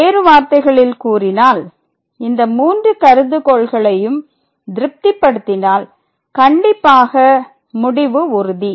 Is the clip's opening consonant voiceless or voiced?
voiced